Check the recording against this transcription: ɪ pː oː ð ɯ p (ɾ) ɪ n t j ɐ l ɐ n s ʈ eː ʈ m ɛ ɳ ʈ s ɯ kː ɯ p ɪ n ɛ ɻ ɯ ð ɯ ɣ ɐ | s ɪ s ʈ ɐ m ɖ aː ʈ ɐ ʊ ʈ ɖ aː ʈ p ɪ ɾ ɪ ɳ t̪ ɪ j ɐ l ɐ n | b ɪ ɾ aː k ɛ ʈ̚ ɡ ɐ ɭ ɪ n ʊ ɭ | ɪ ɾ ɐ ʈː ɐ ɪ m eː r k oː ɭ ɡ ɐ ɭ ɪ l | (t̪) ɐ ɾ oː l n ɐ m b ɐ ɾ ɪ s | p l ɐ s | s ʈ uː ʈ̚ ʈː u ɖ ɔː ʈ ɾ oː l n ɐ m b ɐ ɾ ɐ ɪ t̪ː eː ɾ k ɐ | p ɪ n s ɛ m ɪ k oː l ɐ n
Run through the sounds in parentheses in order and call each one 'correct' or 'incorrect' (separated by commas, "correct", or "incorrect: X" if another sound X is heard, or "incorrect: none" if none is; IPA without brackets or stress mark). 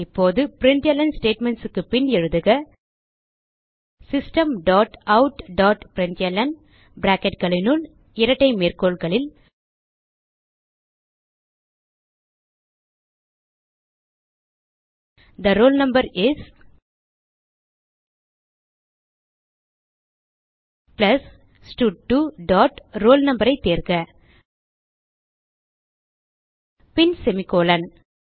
correct, incorrect: d̪